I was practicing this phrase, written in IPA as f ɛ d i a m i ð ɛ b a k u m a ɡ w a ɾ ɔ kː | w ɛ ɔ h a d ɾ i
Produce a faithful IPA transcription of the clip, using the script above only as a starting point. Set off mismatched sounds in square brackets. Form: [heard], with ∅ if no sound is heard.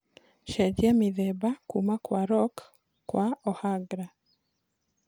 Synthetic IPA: [ʃ] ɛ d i a m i ð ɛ b a k u m a [k] w a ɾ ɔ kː | w [a] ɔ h a [ɡ] ɾ [a]